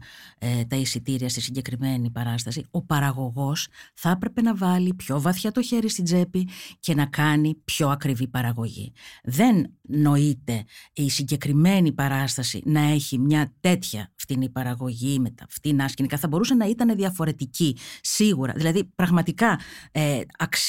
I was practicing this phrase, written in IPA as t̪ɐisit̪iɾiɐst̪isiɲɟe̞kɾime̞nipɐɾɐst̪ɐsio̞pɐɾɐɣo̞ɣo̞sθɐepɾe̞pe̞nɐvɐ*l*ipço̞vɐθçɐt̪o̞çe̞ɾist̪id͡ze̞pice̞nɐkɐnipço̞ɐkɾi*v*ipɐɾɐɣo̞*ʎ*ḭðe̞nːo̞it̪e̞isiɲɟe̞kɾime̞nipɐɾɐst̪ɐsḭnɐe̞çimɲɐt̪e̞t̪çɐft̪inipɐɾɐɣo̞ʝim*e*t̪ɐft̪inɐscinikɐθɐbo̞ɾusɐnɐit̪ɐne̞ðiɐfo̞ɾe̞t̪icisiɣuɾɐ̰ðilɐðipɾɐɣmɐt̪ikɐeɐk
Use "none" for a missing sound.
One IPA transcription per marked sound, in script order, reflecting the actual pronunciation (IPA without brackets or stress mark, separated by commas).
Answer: l, v, ʝ, e